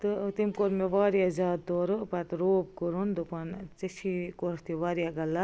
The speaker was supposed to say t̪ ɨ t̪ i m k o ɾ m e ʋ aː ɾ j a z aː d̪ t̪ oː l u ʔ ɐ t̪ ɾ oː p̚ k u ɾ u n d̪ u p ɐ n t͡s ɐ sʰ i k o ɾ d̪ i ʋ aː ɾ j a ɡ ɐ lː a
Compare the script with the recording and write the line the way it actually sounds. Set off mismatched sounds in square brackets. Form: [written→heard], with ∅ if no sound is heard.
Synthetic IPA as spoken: t̪ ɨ t̪ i m k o ɾ m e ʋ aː ɾ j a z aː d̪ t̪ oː [l→ɾ] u [ʔ→p] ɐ t̪ ɾ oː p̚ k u ɾ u n d̪ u p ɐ n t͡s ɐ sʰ i k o ɾ [d̪→t̪] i ʋ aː ɾ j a ɡ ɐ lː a

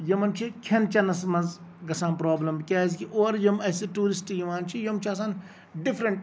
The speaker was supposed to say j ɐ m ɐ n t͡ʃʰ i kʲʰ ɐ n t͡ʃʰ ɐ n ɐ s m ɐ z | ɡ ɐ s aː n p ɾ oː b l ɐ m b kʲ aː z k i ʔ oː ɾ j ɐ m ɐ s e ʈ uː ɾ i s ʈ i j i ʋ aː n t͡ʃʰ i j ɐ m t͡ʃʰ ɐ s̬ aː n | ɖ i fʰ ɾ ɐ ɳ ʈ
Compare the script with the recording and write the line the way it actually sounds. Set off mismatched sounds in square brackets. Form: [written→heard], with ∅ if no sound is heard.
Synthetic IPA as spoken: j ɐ m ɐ n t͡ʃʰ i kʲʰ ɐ n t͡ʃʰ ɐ n ɐ s m ɐ z | ɡ ɐ s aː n p ɾ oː b l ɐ m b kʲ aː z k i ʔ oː ɾ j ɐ m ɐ s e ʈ uː ɾ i s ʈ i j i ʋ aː n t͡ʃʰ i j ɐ m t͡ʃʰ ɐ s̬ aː n | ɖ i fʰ ɾ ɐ ɳ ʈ

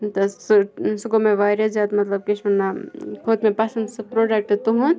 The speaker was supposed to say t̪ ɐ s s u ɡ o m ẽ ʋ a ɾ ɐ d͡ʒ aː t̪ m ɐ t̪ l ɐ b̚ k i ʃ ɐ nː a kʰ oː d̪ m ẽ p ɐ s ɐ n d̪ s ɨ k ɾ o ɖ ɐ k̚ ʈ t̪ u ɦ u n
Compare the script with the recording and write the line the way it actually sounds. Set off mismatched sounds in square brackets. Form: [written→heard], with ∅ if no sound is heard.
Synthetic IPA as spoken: t̪ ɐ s s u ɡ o m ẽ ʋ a ɾ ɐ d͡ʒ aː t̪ m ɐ t̪ l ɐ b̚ k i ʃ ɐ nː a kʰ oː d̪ m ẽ p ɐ s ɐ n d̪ s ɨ [k→p] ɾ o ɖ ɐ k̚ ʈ t̪ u ɦ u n

